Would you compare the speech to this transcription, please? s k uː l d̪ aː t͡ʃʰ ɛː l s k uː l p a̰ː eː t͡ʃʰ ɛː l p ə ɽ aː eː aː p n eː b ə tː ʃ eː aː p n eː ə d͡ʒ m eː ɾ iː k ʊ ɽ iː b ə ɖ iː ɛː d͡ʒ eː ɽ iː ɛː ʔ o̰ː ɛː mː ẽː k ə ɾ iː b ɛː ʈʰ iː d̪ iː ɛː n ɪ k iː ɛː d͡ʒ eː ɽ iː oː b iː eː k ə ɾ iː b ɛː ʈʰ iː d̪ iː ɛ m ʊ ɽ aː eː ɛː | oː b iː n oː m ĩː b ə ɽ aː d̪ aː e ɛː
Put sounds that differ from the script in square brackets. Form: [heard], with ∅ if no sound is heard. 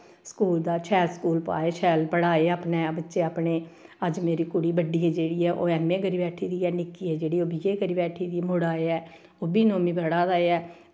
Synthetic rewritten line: s k uː l d̪ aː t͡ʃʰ ɛː l s k uː l p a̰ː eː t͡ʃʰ ɛː l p ə ɽ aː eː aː p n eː b ə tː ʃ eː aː p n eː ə d͡ʒ m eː ɾ iː k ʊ ɽ iː b ə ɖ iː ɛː d͡ʒ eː ɽ iː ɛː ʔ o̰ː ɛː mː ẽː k ə ɾ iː b ɛː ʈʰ iː d̪ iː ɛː n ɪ k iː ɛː d͡ʒ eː ɽ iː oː b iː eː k ə ɾ iː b ɛː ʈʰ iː d̪ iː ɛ m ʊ ɽ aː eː ɛː | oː b iː n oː m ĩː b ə ɽ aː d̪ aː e ɛː